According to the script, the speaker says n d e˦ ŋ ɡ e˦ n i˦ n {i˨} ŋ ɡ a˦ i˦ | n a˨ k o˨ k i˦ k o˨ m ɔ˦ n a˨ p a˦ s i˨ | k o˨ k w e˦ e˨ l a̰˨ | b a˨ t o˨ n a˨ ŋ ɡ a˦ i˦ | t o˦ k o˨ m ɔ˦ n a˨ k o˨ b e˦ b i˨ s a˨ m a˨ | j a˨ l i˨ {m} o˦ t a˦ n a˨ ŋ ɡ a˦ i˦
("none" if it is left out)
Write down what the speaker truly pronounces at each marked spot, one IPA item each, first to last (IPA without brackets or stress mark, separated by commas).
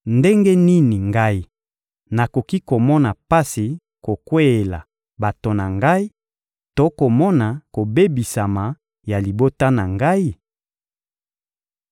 i˨, b